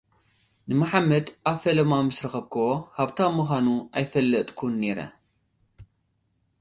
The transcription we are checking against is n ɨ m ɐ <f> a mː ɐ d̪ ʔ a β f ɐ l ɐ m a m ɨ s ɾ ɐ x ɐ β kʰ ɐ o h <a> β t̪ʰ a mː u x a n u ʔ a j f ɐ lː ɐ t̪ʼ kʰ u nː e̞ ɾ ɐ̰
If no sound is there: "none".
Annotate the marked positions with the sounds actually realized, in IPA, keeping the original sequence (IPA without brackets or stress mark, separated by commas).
ħ, a